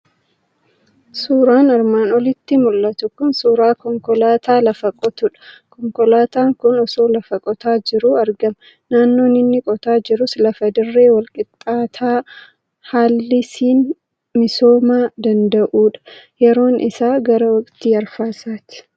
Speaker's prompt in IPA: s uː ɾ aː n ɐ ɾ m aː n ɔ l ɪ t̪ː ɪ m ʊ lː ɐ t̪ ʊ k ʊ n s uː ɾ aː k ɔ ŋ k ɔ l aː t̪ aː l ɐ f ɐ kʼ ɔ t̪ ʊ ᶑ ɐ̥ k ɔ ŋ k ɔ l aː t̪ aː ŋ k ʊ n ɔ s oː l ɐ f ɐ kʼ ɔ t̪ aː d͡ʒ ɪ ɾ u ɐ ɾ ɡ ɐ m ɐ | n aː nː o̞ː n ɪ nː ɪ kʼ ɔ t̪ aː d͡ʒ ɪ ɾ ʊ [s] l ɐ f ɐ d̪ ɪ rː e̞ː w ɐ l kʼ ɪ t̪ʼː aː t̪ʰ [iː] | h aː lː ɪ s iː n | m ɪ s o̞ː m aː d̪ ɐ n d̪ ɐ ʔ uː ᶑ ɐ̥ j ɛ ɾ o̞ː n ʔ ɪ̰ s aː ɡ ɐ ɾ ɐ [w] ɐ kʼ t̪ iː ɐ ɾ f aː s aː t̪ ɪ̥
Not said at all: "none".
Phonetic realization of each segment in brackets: s, aː, w

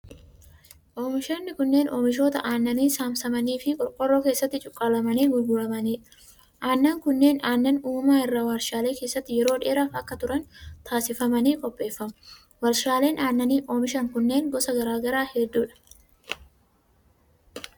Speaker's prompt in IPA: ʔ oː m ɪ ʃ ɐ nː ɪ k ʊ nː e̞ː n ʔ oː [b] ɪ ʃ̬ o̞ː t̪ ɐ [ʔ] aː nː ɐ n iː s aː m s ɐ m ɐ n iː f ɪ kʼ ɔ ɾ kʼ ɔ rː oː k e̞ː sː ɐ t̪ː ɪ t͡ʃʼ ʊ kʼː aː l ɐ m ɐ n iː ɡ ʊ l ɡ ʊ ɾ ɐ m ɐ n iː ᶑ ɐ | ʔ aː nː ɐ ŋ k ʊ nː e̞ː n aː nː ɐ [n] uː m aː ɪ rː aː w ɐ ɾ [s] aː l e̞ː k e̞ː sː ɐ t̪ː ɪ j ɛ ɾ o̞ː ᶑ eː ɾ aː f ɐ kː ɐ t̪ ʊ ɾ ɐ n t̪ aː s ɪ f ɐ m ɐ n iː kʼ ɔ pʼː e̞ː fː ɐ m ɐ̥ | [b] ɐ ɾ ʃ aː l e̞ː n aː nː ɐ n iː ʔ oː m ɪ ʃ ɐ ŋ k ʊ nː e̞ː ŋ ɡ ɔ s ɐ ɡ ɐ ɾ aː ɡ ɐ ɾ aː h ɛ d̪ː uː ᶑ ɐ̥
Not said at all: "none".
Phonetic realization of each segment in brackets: m, ʔ, n, ʃ, w

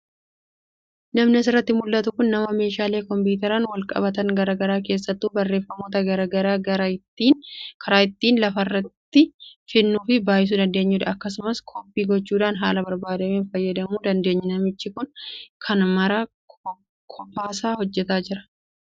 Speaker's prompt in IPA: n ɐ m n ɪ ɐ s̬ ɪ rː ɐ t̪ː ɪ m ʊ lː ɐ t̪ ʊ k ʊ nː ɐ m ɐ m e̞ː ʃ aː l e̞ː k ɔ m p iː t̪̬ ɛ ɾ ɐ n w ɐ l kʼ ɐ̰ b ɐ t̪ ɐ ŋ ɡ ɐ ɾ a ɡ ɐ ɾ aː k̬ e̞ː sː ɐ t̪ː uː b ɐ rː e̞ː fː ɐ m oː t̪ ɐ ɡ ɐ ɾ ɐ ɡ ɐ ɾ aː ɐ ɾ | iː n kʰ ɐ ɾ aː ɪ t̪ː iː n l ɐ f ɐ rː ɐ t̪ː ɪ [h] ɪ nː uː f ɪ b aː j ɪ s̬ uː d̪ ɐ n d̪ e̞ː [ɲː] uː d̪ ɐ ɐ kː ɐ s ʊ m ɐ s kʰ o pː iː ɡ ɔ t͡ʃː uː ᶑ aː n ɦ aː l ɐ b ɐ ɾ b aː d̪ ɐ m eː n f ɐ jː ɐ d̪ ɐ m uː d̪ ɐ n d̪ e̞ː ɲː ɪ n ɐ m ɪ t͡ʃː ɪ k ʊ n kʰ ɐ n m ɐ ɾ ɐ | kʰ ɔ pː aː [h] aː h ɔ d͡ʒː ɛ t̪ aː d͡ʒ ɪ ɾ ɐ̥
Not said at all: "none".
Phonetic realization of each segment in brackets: f, ɲː, s

